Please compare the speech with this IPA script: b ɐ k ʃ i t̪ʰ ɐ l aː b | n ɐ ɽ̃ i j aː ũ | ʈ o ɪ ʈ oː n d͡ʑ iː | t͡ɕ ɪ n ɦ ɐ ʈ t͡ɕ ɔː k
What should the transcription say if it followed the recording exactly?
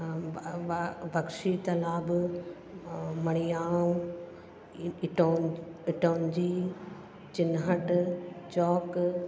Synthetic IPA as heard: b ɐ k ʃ i t̪ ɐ l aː b | m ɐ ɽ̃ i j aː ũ | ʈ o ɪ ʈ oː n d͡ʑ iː | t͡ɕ ɪ n ɦ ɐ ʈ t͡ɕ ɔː k